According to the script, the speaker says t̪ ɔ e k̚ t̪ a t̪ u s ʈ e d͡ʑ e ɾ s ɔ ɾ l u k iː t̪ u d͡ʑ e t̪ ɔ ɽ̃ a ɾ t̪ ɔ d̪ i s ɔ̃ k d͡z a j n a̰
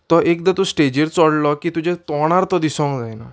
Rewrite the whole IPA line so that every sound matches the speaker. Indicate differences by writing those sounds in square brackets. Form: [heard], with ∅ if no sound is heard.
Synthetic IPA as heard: t̪ ɔ e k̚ [d̪] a t̪ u s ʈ e d͡ʑ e ɾ [t͡s] ɔ [ɽ] l [ɔ] k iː t̪ u d͡ʑ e t̪ ɔ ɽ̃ a ɾ t̪ ɔ d̪ i s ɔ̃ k d͡z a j n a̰